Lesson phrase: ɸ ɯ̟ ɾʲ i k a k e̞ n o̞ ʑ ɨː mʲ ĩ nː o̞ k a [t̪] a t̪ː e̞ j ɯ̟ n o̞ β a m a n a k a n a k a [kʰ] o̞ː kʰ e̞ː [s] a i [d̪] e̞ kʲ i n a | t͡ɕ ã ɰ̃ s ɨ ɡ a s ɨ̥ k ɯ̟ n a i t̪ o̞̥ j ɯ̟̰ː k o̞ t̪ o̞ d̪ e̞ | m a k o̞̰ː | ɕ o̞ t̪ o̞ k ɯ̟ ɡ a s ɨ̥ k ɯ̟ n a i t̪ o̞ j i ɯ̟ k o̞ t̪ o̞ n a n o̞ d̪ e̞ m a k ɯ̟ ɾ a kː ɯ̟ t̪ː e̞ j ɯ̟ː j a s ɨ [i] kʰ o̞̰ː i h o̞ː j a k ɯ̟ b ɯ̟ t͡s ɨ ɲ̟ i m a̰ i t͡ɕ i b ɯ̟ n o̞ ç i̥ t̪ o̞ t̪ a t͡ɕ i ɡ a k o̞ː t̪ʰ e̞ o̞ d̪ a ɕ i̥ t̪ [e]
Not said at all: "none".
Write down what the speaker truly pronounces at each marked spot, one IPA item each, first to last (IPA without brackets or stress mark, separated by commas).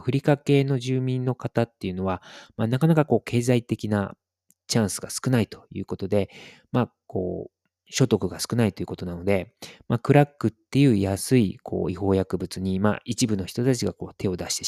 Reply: t̪, k, z, t̪, i, e